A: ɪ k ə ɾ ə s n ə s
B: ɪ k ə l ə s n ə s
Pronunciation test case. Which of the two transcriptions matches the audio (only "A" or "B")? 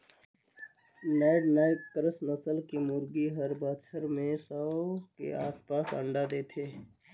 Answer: A